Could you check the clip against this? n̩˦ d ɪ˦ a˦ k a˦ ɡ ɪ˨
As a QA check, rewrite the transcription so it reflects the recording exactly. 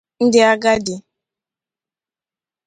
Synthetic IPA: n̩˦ d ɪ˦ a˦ ɡ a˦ d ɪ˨